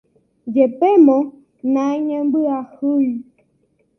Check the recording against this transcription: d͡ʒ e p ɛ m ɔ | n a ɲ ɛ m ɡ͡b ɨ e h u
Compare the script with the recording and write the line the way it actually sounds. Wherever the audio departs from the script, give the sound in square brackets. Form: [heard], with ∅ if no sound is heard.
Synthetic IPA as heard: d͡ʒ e p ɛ m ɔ | n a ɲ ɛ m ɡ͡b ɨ [a] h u